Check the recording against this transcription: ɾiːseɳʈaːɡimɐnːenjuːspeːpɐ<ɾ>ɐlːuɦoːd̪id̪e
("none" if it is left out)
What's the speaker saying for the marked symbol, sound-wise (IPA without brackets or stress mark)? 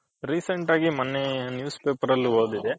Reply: ɾ